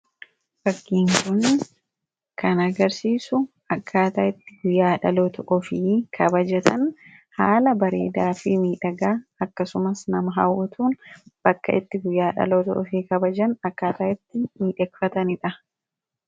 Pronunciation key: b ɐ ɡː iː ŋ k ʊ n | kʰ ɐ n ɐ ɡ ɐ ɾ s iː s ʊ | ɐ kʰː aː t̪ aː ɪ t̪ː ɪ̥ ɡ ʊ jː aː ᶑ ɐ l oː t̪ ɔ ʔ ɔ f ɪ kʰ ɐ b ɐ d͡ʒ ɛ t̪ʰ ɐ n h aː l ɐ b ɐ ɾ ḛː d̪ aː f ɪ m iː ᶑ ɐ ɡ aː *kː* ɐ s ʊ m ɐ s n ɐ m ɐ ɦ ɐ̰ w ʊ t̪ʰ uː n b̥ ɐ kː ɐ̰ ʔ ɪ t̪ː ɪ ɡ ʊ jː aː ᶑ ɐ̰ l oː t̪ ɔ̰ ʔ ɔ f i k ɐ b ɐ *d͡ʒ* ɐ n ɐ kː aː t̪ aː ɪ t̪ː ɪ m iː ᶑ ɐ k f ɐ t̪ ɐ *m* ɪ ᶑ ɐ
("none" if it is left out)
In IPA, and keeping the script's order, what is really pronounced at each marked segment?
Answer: kː, d͡ʒ, n

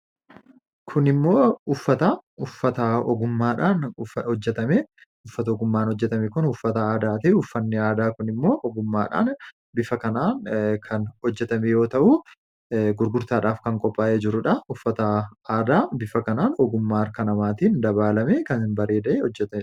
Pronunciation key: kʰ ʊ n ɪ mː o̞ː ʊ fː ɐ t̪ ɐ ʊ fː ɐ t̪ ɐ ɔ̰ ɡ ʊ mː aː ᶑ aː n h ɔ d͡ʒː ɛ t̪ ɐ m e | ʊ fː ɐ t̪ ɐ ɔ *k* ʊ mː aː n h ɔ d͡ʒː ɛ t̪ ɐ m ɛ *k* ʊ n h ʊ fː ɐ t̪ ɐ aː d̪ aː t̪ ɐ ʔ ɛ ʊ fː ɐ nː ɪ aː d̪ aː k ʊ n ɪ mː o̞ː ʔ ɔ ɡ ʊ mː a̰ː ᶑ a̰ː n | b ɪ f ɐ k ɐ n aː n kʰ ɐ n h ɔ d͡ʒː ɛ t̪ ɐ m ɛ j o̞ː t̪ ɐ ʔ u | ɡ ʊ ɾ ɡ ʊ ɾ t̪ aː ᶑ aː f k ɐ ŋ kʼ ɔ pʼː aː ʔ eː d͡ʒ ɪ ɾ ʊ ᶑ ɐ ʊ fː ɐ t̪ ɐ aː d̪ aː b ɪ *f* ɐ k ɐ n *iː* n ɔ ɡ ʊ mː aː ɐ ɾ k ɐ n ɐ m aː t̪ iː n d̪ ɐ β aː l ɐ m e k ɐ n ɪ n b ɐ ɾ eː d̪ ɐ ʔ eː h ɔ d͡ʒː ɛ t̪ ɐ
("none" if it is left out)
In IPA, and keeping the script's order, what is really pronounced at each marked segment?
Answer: ɡ, k, f, aː

